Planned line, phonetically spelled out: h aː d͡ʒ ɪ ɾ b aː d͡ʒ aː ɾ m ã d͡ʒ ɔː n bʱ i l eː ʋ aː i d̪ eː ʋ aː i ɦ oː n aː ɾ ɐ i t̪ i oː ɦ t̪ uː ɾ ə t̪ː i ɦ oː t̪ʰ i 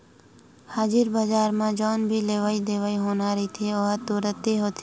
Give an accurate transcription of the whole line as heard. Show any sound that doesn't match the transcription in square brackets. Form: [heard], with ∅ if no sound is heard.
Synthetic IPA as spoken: h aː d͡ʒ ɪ ɾ b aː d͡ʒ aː ɾ m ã d͡ʒ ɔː n bʱ i l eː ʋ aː i d̪ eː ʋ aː i ɦ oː n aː ɾ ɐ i [t̪ʰ] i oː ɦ t̪ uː ɾ ə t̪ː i ɦ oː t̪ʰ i

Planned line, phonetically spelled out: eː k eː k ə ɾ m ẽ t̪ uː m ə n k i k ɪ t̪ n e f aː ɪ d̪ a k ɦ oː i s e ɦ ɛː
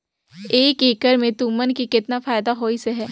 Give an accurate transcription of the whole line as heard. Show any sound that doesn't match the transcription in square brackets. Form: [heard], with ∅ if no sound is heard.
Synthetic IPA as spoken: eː k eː k ə ɾ m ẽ t̪ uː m ə n k i k ɪ t̪ n [a] f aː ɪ d̪ a [∅] ɦ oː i s e ɦ ɛː

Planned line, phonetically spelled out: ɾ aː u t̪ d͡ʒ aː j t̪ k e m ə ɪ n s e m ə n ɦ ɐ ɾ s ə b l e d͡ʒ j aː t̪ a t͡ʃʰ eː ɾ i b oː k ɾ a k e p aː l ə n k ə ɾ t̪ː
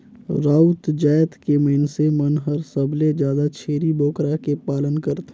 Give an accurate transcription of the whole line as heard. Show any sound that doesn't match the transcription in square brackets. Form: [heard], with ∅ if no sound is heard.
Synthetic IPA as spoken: ɾ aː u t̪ d͡ʒ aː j t̪ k e m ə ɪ n s e m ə n ɦ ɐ ɾ s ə b l e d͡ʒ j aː [d̪] a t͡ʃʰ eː ɾ i b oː k ɾ a k e p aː l ə n k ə ɾ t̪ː

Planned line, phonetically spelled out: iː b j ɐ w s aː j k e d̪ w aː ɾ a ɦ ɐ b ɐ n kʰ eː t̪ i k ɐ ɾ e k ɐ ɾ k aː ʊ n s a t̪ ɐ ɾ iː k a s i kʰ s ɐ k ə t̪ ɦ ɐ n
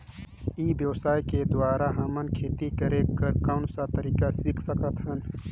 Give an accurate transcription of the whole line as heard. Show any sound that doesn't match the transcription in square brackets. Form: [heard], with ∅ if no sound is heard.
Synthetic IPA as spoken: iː b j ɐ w s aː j k e d̪ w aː ɾ a ɦ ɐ [m] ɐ n kʰ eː t̪ i k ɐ ɾ e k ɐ ɾ k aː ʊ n s a t̪ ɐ ɾ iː k a s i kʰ s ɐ k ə t̪ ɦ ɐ n

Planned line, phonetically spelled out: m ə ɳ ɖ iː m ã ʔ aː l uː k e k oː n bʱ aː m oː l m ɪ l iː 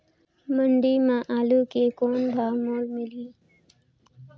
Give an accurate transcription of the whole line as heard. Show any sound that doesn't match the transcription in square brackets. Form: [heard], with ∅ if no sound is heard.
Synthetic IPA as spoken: m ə ɳ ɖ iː m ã ʔ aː l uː k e k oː n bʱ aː m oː l m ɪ l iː

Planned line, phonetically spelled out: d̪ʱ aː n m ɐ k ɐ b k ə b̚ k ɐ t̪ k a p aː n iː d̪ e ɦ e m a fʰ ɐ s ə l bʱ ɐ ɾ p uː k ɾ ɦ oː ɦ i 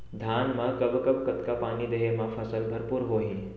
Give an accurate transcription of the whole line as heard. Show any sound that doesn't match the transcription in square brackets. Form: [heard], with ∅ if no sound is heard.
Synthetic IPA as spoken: d̪ʱ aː n m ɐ k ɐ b k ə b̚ k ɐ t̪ k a p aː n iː d̪ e ɦ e m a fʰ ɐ s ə l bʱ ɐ ɾ p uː [∅] ɾ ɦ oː ɦ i

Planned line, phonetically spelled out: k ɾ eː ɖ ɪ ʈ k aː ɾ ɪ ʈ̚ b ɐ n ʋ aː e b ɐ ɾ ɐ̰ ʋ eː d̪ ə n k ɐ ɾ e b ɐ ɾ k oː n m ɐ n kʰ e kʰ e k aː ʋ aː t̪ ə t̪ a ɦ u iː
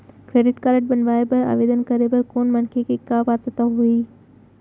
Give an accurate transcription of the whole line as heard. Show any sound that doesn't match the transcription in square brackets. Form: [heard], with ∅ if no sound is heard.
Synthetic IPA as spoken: k ɾ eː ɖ ɪ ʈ k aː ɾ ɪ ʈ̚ b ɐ n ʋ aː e b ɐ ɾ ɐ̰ ʋ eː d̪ ə n k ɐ ɾ e b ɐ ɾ k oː n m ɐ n kʰ e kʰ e k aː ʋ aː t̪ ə t̪ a ɦ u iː

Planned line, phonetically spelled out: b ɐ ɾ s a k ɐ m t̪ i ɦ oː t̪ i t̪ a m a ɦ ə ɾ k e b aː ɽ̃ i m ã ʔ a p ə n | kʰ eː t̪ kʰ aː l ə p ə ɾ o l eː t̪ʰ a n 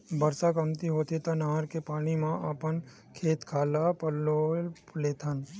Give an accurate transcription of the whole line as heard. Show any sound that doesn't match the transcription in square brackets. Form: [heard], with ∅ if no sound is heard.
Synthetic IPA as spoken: b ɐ ɾ s a k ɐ m t̪ i ɦ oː t̪ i t̪ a [n] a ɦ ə ɾ k e [p] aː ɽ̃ i m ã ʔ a p ə n | kʰ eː t̪ kʰ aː l [a] p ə [l] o l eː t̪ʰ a n

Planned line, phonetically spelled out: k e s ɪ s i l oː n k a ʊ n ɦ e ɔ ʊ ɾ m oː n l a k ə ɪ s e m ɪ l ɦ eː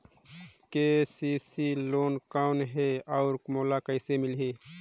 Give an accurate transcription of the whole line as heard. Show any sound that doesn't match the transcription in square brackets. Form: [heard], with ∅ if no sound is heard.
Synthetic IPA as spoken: k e s [i] s i l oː n k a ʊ n ɦ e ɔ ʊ ɾ m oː [∅] l a k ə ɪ s e m ɪ l ɦ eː

